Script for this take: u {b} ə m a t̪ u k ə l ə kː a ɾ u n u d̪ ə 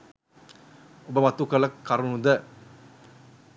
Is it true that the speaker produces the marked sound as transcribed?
yes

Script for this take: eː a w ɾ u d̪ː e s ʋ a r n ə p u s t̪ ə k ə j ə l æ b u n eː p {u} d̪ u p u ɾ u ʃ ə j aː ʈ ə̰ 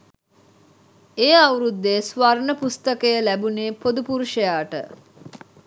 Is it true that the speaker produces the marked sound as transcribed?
no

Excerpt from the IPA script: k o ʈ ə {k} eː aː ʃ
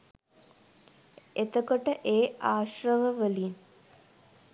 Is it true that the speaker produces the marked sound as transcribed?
no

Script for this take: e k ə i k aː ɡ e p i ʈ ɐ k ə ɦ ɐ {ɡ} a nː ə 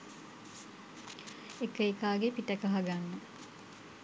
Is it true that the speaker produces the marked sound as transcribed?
yes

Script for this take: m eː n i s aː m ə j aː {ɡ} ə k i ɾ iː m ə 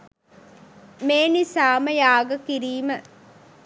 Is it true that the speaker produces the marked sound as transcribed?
yes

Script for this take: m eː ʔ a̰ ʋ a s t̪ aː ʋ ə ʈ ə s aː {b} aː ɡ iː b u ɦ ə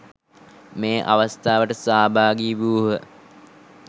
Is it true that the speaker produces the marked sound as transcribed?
yes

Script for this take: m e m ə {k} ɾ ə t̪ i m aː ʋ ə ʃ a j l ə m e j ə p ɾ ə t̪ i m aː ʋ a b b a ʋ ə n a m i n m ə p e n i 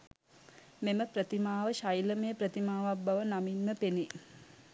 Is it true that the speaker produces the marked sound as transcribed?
no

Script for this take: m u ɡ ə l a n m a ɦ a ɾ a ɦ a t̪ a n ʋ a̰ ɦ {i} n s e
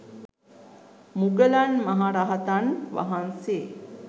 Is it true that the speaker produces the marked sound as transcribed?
no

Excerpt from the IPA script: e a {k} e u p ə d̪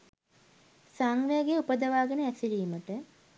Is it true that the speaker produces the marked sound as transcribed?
no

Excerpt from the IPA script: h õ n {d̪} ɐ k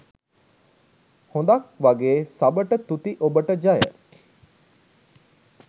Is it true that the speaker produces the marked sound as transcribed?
yes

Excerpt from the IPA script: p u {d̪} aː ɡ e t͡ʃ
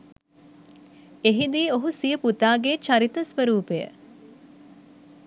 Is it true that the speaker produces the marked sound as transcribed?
no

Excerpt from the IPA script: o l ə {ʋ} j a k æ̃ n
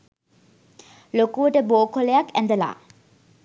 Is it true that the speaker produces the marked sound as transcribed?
no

